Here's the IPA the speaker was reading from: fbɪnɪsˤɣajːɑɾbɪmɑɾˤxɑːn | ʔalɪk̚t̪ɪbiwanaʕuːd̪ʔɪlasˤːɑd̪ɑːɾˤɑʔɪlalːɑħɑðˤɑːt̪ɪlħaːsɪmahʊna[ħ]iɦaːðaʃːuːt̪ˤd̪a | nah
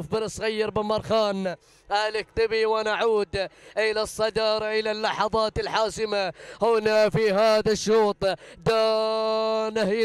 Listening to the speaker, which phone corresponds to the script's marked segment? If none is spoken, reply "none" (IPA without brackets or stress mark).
f